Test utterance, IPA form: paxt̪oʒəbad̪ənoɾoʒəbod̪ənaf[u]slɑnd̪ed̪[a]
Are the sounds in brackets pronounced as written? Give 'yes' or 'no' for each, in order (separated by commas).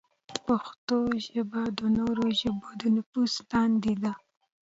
yes, yes